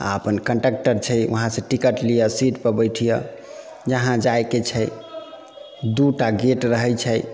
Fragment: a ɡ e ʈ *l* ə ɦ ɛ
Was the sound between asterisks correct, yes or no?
no